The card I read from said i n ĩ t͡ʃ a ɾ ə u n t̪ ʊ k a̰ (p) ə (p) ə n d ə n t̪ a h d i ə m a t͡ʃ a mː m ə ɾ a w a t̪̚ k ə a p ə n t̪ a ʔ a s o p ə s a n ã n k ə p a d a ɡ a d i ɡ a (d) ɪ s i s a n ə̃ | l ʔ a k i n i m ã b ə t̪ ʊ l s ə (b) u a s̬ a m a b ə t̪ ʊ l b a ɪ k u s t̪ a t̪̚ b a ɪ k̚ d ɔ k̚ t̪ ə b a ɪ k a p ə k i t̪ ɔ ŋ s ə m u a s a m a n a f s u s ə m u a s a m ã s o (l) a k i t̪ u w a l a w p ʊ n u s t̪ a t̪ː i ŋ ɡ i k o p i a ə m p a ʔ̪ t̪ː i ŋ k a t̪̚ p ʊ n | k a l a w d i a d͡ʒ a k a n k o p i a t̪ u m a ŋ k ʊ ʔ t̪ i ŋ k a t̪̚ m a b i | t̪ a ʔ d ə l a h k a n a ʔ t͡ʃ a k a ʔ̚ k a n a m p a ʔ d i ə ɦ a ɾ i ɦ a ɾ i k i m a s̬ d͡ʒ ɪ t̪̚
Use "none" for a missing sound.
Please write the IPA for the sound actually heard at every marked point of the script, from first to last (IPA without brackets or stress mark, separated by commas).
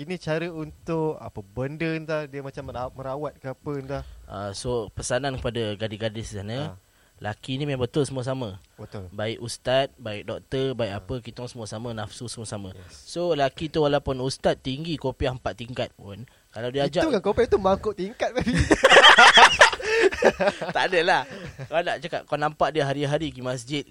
p, b, d, m, l